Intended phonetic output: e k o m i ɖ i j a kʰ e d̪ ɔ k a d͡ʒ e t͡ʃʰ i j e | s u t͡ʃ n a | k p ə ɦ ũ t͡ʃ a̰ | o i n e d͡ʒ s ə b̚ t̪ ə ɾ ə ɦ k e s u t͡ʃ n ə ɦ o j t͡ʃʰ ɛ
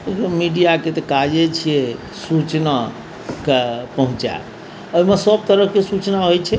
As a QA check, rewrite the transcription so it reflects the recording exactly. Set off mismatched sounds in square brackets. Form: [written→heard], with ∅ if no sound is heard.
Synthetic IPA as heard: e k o m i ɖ i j a [kʰ→k] e [d̪→t̪] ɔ k a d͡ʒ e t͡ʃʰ i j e | s u t͡ʃ n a | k p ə ɦ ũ t͡ʃ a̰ | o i [n→m] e [d͡ʒ→∅] s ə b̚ t̪ ə ɾ ə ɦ k e s u t͡ʃ n [ə→a] ɦ o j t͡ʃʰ ɛ